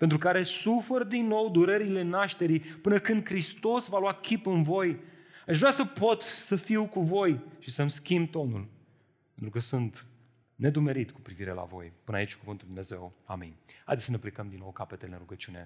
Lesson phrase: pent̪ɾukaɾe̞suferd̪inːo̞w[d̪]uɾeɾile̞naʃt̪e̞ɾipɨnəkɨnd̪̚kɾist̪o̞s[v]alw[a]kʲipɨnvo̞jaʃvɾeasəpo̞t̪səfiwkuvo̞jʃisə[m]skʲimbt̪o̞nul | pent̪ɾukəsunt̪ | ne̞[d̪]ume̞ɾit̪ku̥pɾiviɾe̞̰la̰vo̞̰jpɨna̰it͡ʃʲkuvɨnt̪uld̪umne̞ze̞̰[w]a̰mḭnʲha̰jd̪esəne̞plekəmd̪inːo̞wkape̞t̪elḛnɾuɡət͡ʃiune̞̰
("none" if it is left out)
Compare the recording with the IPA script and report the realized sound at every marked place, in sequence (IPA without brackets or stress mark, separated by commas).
d̪, v, a, m, d̪, w